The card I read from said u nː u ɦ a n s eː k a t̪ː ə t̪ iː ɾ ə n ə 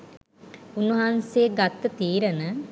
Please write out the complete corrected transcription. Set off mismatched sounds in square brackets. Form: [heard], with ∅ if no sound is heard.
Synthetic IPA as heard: u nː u ɦ a n s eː [ɡ] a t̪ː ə t̪ iː ɾ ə n ə

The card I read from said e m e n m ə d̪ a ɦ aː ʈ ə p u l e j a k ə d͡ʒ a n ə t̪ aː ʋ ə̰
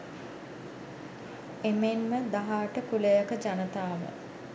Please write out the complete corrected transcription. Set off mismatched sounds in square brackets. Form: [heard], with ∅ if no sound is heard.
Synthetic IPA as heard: e m e n m ə d̪ a ɦ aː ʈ ə [k] u l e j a k ə d͡ʒ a n ə t̪ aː ʋ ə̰

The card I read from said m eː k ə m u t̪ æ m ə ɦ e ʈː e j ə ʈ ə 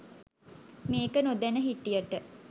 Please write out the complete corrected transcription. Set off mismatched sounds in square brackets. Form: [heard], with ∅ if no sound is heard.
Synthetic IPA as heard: m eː k ə [n] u [d̪] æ [n] ə ɦ [i] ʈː [i] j ə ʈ ə

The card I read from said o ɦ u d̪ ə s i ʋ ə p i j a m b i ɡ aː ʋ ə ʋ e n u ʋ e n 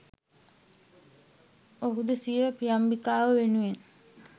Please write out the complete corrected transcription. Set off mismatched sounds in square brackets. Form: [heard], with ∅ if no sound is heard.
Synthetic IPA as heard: o ɦ u d̪ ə s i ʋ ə p i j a m b i [k] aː ʋ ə ʋ e n u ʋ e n

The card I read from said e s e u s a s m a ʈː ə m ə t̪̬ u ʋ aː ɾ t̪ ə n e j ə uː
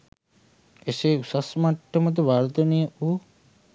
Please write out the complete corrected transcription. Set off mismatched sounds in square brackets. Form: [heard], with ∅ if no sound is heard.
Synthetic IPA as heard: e s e u s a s m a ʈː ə m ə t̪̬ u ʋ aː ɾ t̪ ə n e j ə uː

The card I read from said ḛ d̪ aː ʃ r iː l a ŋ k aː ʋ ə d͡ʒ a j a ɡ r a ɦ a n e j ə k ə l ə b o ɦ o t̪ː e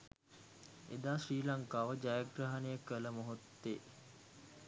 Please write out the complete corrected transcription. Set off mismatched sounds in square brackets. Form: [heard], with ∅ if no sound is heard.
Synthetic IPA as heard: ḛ d̪ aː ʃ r iː l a ŋ k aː ʋ ə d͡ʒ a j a ɡ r a ɦ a n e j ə k ə l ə [m] o ɦ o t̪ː e

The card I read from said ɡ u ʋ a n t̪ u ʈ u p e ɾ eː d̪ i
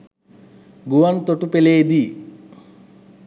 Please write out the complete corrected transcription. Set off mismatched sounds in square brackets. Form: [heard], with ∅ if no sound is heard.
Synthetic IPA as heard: ɡ u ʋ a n t̪ [o] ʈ u p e [l] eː d̪ i

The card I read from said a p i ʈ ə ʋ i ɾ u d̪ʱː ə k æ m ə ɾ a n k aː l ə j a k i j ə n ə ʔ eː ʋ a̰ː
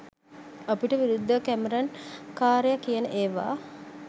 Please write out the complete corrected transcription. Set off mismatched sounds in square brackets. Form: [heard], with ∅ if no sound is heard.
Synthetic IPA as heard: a p i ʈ ə ʋ i ɾ u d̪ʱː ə k æ m ə ɾ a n k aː [ɾ] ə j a k i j ə n ə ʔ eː ʋ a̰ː

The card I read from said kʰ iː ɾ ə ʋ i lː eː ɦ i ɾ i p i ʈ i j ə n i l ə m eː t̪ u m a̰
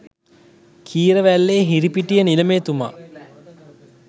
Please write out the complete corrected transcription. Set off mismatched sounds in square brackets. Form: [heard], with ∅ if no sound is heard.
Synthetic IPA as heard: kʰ iː ɾ ə ʋ [æ] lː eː ɦ i ɾ i p i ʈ i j ə n i l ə m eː t̪ u m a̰

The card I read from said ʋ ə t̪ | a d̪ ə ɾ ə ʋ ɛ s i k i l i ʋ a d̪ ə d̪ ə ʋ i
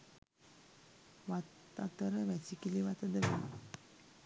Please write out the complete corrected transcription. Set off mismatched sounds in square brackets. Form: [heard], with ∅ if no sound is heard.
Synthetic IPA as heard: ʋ [a] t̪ | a [t̪] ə ɾ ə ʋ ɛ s i k i l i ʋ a [t̪] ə d̪ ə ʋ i

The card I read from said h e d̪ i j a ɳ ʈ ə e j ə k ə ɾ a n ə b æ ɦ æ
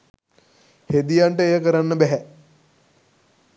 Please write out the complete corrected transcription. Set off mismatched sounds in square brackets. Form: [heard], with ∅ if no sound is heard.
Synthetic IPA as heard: h e d̪ i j a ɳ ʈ ə e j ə k ə ɾ a [nː] ə b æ ɦ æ

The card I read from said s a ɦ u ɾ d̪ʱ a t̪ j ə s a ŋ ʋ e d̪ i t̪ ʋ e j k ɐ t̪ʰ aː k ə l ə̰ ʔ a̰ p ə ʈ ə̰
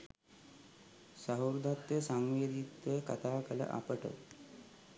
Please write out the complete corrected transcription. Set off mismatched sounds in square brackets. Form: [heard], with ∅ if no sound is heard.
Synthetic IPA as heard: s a ɦ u ɾ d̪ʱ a t̪ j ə s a ŋ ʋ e d̪ i t̪ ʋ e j k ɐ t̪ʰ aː k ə l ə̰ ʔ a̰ p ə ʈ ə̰

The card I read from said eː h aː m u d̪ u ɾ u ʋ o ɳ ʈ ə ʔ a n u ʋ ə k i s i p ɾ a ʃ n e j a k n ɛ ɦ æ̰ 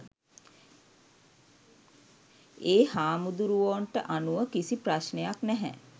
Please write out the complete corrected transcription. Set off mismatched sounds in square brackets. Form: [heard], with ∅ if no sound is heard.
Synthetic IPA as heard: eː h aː m u d̪ u ɾ u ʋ o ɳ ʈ ə ʔ a n u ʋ ə k i s i p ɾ a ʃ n e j a k n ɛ ɦ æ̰

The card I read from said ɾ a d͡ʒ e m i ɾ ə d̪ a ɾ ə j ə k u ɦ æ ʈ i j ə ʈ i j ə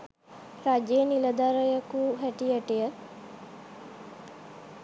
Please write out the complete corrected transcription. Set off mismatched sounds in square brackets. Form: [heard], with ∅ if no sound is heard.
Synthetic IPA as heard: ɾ a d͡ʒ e [n] i [l] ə d̪ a ɾ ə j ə k u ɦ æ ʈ i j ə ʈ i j ə

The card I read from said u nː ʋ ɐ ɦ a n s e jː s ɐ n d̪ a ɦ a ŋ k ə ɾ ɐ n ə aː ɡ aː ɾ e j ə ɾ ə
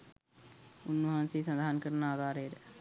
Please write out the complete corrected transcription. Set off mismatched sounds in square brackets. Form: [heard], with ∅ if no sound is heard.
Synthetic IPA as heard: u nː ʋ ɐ ɦ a n s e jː s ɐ n d̪ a ɦ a [n] k ə ɾ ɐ n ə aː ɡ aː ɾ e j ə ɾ ə

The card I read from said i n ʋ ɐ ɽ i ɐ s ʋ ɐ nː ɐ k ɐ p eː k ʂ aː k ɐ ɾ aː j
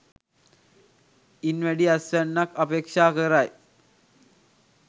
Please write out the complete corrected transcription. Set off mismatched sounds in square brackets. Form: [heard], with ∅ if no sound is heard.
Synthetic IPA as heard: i n ʋ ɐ ɽ i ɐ s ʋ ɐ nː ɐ k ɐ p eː k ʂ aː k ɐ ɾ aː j

